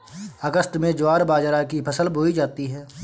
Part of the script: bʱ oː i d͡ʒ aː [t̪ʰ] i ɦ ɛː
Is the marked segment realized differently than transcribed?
yes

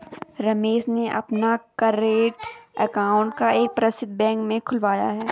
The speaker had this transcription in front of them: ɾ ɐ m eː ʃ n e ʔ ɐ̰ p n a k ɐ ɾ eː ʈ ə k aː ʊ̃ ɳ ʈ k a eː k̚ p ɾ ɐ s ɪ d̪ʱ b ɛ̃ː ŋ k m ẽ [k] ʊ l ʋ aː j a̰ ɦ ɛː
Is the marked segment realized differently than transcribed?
yes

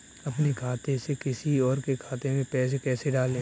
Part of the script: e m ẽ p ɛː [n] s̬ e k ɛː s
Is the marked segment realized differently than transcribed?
yes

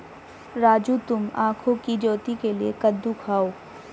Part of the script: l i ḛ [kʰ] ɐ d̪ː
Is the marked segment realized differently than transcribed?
yes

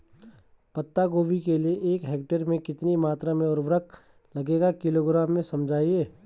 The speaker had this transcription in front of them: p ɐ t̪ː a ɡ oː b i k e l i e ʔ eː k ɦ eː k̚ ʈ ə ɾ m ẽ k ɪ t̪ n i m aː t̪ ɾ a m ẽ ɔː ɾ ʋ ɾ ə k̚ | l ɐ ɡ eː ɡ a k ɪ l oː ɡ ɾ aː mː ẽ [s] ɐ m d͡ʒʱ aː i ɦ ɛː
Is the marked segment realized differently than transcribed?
no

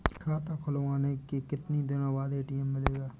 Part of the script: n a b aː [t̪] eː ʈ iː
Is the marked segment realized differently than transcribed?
yes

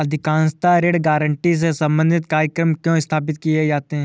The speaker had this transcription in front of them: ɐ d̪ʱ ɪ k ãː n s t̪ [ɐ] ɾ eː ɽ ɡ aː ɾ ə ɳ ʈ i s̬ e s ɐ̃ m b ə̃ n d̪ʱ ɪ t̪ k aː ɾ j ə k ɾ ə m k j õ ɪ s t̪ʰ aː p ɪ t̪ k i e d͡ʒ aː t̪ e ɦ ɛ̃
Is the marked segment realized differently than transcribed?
yes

